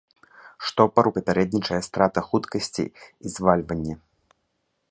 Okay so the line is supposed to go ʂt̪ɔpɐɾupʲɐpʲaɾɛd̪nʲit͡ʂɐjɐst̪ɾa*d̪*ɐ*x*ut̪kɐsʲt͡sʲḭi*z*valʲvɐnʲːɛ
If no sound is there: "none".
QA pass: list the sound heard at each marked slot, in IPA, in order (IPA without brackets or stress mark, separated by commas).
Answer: t̪, x, z